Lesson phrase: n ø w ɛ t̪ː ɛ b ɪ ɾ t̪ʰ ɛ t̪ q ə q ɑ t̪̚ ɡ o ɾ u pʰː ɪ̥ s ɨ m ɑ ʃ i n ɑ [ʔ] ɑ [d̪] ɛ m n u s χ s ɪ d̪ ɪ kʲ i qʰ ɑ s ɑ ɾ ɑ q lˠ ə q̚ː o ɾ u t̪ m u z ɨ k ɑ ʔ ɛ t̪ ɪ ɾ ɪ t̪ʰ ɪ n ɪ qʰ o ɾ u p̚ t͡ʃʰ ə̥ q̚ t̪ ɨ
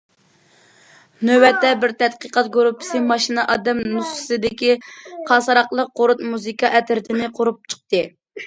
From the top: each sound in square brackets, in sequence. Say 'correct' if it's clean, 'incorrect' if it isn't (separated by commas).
correct, correct